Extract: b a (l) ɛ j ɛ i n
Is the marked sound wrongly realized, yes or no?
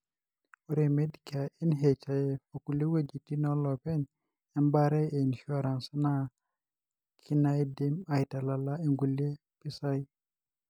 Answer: yes